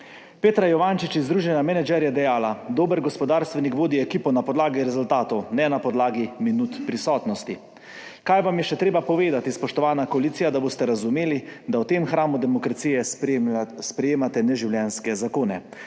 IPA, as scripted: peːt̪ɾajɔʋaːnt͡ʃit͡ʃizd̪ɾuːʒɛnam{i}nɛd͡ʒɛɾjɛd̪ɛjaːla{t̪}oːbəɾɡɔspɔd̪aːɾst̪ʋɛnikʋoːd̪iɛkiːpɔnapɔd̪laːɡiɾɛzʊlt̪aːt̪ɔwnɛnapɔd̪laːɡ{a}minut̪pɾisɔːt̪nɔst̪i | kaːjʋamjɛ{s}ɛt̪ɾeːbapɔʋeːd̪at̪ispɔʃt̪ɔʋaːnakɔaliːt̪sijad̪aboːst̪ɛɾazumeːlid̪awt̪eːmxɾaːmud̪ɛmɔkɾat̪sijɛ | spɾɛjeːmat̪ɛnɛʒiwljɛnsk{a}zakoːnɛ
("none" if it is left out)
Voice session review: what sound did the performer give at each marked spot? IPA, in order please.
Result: ɛ, d̪, i, ʃ, ɛ

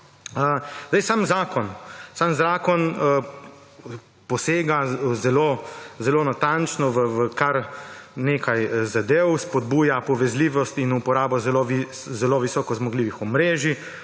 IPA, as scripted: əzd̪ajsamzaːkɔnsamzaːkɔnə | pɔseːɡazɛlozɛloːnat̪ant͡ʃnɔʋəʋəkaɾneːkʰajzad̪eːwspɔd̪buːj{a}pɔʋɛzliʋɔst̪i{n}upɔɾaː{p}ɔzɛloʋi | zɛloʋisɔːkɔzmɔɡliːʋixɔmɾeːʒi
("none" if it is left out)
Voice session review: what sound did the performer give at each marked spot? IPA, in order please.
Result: a, n, b

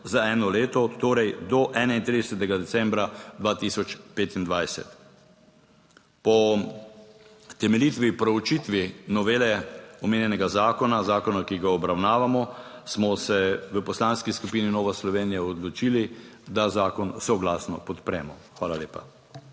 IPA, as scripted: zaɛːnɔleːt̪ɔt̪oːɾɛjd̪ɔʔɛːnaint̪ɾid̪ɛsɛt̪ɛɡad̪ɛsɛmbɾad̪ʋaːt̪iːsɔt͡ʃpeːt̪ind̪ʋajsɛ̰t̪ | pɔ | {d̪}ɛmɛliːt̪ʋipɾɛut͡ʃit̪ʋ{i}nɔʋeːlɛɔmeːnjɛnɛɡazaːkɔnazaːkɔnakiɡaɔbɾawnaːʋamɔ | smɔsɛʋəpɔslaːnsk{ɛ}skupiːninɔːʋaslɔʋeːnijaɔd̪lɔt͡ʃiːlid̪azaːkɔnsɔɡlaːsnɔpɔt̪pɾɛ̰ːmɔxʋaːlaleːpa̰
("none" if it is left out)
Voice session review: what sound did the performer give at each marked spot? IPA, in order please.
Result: t̪, i, i

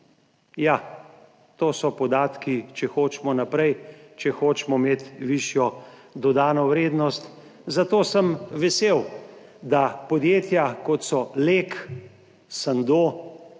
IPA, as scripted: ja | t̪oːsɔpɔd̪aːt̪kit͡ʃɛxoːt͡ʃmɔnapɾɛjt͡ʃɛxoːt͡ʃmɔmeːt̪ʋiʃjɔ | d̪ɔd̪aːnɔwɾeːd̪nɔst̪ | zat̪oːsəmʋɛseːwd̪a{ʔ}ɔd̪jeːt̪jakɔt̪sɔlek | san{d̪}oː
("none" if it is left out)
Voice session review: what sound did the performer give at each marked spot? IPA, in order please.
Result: p, d̪

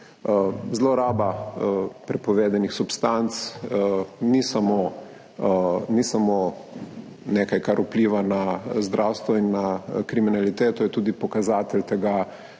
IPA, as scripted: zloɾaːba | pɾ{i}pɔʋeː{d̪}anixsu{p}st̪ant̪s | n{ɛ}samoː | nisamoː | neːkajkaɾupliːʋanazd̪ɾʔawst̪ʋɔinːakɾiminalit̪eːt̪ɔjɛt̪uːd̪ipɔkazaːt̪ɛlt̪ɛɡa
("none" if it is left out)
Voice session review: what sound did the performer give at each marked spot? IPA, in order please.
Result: ɛ, d̪, p, i

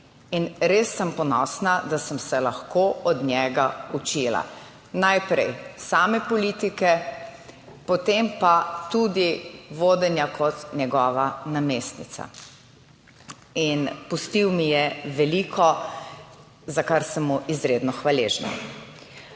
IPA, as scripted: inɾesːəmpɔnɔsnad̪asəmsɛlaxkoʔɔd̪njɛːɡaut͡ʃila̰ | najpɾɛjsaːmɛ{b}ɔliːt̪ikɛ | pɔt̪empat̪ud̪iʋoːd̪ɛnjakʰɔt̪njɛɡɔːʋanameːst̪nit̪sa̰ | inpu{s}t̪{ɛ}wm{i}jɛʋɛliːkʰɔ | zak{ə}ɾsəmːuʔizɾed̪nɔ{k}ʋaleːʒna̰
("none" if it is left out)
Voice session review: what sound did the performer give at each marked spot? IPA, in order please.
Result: p, s, i, i, a, x

